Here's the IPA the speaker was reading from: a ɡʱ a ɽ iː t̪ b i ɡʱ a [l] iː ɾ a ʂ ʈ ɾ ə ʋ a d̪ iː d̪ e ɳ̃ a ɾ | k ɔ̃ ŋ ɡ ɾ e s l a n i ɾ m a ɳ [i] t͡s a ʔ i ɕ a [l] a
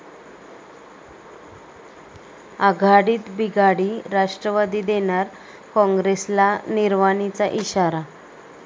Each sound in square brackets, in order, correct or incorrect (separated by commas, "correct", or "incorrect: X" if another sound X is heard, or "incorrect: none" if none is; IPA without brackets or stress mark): incorrect: ɽ, correct, incorrect: ɾ